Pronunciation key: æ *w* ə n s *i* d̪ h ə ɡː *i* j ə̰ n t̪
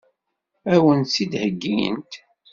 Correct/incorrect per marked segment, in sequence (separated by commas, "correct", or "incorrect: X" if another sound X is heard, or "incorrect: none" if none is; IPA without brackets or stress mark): correct, correct, correct